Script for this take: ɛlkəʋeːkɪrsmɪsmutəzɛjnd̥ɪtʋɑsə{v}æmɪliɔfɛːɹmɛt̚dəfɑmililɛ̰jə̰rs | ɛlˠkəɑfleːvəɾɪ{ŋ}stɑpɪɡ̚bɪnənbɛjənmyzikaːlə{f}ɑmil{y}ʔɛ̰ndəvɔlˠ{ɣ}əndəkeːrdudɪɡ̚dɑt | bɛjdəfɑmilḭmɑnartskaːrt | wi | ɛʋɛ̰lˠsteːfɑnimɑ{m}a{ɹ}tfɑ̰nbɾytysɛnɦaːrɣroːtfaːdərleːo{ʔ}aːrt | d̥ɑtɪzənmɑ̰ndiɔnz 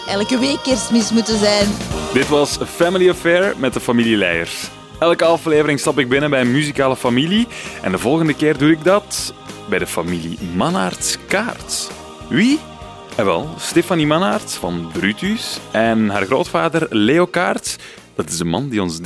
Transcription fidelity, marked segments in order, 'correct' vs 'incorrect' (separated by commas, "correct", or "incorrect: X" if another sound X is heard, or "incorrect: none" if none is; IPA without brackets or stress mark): incorrect: f, correct, correct, incorrect: i, correct, incorrect: n, incorrect: r, incorrect: k